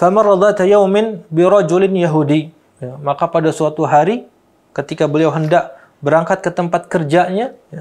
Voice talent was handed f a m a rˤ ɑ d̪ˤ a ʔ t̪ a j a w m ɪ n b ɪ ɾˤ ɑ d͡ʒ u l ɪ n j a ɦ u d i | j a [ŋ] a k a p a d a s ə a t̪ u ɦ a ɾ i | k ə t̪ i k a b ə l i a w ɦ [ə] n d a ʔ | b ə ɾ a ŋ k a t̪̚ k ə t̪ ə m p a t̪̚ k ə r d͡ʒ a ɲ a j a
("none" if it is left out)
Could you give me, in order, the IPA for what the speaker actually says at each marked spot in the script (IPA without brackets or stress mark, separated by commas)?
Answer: m, ə